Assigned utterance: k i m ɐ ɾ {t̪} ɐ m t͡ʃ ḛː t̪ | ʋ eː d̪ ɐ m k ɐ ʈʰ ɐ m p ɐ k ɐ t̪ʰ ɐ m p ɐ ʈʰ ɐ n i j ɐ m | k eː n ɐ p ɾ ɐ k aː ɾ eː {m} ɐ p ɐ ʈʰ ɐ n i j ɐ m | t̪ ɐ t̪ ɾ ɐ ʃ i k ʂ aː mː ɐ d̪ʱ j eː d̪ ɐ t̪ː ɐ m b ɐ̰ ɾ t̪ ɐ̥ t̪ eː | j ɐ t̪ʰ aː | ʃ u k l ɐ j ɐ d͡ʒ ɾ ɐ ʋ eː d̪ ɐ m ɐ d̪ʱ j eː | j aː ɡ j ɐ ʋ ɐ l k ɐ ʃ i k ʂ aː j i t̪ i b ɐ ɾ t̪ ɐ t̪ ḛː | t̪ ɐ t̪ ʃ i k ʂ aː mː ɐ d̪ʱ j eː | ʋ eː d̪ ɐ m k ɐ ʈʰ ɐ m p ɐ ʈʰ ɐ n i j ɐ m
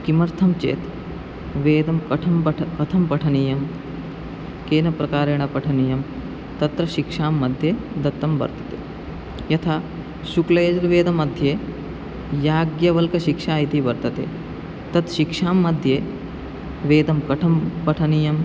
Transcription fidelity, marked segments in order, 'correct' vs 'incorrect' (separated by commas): incorrect, incorrect